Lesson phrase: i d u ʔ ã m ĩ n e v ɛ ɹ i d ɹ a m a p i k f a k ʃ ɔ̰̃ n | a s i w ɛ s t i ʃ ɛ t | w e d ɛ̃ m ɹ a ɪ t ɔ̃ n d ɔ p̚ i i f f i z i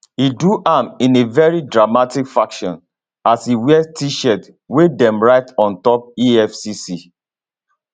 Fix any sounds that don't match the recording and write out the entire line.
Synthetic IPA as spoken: i d u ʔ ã m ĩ n e v ɛ ɹ i d ɹ a m a t i k f a k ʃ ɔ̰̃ n | a s i w ɛ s t i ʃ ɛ t | w e d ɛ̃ m ɹ a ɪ t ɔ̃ n t ɔ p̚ i ɛ f s i s i